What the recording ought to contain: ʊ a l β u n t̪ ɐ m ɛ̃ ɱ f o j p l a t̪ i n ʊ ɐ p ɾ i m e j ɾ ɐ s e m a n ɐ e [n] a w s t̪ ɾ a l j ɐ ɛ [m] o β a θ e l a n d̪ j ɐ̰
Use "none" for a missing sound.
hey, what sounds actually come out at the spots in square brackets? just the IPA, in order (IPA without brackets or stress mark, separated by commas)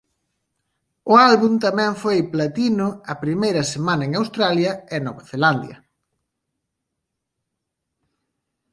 ŋ, n